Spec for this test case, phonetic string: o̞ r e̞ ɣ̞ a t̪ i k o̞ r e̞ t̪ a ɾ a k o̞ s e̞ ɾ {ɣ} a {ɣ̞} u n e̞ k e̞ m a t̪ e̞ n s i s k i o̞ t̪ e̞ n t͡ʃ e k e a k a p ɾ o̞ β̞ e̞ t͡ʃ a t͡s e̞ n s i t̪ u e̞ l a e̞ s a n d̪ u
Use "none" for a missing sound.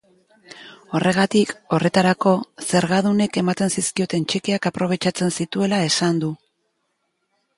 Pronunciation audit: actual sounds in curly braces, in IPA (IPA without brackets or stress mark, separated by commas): ɣ, ð̞